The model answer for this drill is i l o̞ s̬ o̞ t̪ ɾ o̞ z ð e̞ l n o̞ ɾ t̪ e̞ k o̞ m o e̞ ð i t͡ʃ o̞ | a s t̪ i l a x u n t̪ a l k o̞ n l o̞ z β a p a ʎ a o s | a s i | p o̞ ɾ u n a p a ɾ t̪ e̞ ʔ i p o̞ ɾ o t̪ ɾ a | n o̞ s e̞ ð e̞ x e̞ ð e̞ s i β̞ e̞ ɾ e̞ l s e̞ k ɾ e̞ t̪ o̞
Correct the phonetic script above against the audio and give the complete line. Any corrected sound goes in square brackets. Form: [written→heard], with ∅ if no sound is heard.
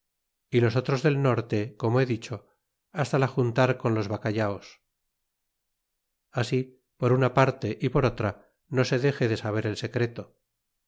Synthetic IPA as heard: i l o̞ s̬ o̞ t̪ ɾ o̞ z ð e̞ l n o̞ ɾ t̪ e̞ k o̞ m o e̞ ð i t͡ʃ o̞ | a s t̪ [i→a] l a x u n t̪ a [l→ɾ] k o̞ n l o̞ z β a [p→k] a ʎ a o s | a s i | p o̞ ɾ u n a p a ɾ t̪ e̞ ʔ i p o̞ ɾ o t̪ ɾ a | n o̞ s e̞ ð e̞ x e̞ ð e̞ s [i→a] β̞ e̞ ɾ e̞ l s e̞ k ɾ e̞ t̪ o̞